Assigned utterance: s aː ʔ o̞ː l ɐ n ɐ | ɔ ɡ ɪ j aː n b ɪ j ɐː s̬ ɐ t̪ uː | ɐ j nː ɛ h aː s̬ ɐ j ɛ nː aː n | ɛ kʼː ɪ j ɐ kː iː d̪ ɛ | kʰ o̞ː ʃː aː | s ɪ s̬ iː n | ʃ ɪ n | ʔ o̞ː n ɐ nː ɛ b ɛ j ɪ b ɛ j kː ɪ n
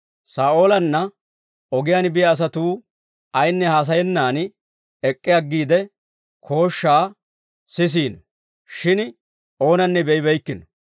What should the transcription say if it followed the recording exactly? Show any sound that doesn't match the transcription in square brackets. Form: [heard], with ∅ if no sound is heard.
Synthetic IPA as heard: s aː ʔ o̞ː l ɐ [nː] ɐ | ɔ ɡ ɪ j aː n b ɪ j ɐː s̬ ɐ t̪ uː | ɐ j nː ɛ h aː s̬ ɐ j ɛ nː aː n | ɛ kʼː ɪ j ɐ [ɡː] iː d̪ ɛ | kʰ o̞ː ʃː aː | s ɪ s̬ iː n | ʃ ɪ n | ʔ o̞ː n ɐ nː ɛ b ɛ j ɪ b ɛ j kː ɪ n